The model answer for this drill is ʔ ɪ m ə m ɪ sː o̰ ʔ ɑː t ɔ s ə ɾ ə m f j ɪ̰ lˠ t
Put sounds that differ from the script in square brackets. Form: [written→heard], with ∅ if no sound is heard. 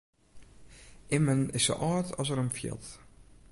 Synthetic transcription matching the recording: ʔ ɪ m ə [m→n] ɪ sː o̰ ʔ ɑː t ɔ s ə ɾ ə m f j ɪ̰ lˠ t